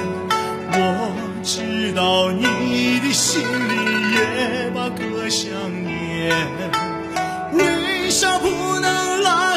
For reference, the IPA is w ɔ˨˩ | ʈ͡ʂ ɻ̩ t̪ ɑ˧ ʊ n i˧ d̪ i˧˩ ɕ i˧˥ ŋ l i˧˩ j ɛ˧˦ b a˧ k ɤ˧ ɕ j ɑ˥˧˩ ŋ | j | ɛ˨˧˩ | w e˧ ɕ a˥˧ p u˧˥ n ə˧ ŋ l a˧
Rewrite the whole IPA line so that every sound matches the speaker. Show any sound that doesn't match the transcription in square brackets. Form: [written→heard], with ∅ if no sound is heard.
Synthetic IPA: w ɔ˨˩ | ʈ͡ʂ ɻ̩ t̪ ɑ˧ ʊ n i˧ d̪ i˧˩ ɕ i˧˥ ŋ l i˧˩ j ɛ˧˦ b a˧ k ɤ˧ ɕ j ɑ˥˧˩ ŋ | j | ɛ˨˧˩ | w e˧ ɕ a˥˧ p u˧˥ n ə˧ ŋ l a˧